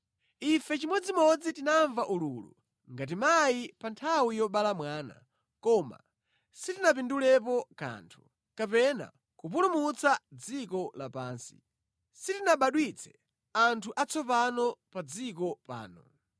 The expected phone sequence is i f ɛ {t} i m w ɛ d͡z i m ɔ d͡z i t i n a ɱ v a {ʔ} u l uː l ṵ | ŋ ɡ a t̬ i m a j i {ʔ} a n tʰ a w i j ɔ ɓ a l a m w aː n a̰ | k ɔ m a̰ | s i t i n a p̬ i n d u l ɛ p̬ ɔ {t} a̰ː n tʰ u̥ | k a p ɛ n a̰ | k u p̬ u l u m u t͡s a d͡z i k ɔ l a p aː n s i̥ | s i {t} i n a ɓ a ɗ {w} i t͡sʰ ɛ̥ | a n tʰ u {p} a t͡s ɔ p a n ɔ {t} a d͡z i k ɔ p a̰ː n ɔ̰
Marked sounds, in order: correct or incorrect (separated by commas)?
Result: incorrect, correct, incorrect, incorrect, correct, correct, incorrect, incorrect